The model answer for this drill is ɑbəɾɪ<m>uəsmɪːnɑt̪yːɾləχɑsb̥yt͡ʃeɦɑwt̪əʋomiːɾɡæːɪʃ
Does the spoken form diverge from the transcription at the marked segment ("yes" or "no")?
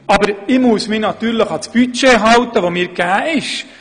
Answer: no